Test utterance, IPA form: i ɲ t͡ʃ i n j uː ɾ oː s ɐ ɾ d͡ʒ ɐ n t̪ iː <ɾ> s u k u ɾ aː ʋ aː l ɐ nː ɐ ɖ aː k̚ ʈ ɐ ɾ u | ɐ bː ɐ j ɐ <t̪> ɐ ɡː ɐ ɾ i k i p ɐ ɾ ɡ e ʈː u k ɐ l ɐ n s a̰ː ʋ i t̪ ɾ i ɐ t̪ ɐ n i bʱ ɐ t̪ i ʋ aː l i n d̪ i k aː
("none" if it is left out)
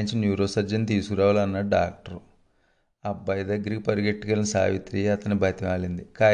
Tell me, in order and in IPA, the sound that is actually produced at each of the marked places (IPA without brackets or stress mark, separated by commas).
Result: none, d̪